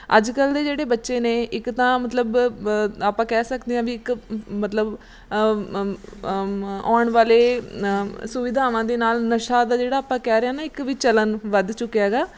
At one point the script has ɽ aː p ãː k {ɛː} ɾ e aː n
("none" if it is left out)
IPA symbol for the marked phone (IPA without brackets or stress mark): ɛː